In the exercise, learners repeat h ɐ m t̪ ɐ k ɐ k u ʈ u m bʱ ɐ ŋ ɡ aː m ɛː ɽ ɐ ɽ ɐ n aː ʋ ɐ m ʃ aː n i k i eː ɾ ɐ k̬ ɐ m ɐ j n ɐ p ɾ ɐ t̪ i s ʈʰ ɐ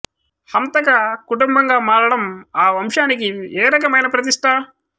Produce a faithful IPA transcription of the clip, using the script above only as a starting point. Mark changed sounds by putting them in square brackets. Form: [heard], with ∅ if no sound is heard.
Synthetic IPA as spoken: h ɐ m t̪ ɐ k ɐ k u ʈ u m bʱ ɐ ŋ ɡ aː m [aː] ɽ ɐ ɽ ɐ [m] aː ʋ ɐ m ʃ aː n i k i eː ɾ ɐ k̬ ɐ m ɐ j n ɐ p ɾ ɐ t̪ i [ʂ] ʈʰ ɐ